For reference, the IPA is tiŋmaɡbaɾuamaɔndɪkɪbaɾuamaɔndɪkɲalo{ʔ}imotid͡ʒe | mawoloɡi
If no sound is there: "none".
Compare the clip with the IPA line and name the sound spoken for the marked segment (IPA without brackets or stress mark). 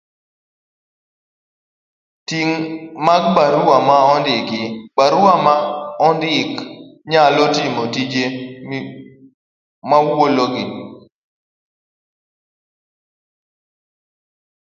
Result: t